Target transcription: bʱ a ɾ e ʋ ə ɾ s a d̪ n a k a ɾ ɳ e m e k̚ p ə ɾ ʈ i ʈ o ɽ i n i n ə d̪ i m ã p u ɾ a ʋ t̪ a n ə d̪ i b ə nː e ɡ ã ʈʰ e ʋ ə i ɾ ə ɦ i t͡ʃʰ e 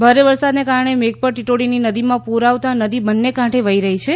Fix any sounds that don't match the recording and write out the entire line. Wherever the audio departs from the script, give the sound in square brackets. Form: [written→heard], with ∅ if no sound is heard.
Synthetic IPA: bʱ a ɾ e ʋ ə ɾ s a d̪ n [a→e] k a ɾ ɳ e m e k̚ p ə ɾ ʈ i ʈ o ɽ i n i n ə d̪ i m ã p u ɾ a ʋ t̪ a n ə d̪ i b ə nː e [ɡ→k] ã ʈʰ e ʋ ə i ɾ ə ɦ i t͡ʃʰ e